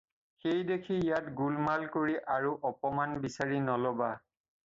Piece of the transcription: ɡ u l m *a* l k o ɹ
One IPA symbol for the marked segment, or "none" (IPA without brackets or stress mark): a